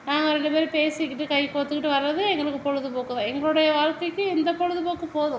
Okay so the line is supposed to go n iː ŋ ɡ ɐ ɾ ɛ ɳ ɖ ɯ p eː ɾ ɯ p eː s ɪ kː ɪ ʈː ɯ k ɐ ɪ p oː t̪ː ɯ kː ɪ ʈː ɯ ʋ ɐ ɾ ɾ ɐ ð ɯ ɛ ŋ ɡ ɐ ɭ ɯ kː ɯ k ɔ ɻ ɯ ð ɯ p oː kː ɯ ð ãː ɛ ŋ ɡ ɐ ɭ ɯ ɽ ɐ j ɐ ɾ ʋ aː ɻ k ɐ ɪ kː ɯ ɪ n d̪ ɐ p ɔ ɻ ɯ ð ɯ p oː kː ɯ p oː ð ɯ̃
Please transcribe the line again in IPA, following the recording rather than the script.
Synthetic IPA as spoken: n aː ŋ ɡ ɐ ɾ ɛ ɳ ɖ ɯ p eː ɾ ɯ p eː s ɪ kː ɪ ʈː ɯ k ɐ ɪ p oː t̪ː ɯ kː ɪ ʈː ɯ ʋ ɐ ɾ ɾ ɐ ð ɯ ɛ ŋ ɡ ɐ ɭ ɯ kː ɯ p ɔ ɻ ɯ ð ɯ p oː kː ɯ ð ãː ɛ ŋ ɡ ɐ ɭ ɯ ɽ ɐ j ɐ ʋ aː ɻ k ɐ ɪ kː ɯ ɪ n d̪ ɐ p ɔ ɻ ɯ ð ɯ p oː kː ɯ p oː ð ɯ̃